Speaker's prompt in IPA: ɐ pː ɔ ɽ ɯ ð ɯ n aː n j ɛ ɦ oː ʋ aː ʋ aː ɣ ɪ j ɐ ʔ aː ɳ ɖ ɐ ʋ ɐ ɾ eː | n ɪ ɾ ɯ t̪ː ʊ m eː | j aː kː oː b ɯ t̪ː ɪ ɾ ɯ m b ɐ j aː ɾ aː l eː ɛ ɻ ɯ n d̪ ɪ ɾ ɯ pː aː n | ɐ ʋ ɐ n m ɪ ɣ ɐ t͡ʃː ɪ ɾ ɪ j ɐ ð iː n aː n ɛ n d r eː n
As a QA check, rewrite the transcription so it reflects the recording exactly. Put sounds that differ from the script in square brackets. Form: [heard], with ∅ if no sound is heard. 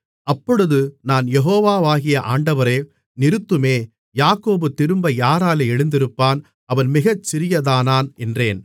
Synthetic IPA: ɐ pː ɔ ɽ ɯ ð ɯ n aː n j ɛ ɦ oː ʋ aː ʋ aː ɣ ɪ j ɐ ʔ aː ɳ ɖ ɐ ʋ ɐ ɾ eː | n ɪ ɾ ɯ t̪ː [ɯ] m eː | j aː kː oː b ɯ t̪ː ɪ ɾ ɯ m b ɐ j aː ɾ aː l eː ɛ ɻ ɯ n d̪ ɪ ɾ ɯ pː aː n | ɐ ʋ ɐ n m ɪ ɣ ɐ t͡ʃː ɪ ɾ ɪ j ɐ ð [aː] n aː n ɛ n d r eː n